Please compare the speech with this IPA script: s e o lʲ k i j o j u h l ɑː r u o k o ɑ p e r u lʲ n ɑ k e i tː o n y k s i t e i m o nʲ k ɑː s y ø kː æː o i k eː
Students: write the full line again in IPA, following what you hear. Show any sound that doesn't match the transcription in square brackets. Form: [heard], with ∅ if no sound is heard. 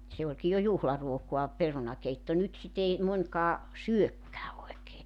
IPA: s e o lʲ k i j o j u h l [ɑ] r u o k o ɑ p e r u [∅] n ɑ k e i tː o n y [t] s i t e i m o nʲ k ɑː s y ø kː æː o [e] k eː